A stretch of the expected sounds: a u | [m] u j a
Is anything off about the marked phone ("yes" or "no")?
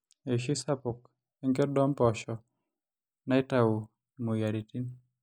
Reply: no